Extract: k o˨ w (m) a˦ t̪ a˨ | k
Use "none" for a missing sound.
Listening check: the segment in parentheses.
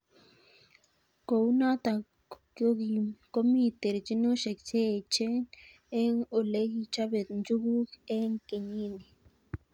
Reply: n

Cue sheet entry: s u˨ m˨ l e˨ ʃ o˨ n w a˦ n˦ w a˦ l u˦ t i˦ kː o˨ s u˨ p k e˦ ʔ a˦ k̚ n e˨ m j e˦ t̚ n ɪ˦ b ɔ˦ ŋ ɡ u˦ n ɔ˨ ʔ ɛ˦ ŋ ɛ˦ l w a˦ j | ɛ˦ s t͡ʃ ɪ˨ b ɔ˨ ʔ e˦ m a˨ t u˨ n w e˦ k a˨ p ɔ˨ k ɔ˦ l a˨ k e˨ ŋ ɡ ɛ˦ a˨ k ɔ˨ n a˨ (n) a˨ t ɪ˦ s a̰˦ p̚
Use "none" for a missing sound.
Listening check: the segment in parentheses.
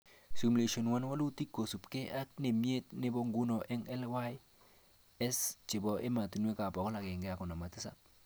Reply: m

